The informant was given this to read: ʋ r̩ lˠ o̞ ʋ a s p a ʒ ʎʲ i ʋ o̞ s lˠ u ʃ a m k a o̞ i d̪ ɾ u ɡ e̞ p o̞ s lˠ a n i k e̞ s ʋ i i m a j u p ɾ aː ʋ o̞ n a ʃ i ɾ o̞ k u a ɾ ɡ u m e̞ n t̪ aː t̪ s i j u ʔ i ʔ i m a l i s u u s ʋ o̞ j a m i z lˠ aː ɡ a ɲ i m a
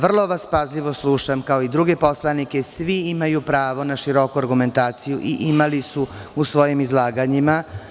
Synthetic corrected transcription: ʋ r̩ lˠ o̞ ʋ a s p a z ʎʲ i ʋ o̞ s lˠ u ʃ a m k a o̞ i d̪ ɾ u ɡ e̞ p o̞ s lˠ a n i k e̞ s ʋ i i m a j u p ɾ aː ʋ o̞ n a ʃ i ɾ o̞ k u a ɾ ɡ u m e̞ n t̪ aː t̪ s i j u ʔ i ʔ i m a l i s u u s ʋ o̞ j i m i z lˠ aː ɡ a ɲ i m a